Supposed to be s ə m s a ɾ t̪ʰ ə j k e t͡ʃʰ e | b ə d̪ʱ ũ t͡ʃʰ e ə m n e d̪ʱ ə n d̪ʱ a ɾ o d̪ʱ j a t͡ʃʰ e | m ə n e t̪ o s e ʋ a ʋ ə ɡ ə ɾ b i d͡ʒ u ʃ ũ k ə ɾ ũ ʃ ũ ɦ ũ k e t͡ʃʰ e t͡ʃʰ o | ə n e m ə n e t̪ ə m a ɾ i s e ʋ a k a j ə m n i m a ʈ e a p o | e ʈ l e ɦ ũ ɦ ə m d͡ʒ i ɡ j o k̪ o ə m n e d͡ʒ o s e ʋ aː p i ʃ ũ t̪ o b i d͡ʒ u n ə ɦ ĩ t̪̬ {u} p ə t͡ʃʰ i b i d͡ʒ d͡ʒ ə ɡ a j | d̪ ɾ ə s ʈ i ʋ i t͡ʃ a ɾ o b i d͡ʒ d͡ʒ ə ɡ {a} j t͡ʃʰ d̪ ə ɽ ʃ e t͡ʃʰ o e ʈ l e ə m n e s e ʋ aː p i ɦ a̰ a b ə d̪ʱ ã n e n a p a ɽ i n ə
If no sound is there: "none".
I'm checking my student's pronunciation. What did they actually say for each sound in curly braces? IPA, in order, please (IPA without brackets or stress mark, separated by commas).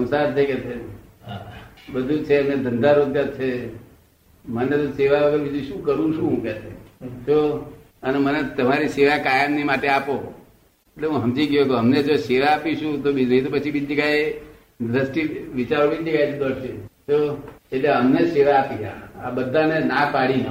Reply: o, a